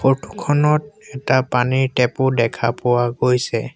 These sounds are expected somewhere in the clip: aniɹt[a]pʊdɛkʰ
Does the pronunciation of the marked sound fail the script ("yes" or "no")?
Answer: yes